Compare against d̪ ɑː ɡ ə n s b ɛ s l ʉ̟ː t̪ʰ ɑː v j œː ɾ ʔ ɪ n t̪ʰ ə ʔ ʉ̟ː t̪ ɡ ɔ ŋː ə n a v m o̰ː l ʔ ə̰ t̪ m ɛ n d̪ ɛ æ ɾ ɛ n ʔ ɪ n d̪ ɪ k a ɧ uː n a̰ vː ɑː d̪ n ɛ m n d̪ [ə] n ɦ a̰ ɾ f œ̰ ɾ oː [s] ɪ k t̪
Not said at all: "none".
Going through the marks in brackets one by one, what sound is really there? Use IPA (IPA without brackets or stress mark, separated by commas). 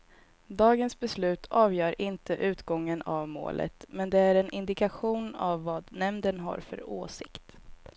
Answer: ə, s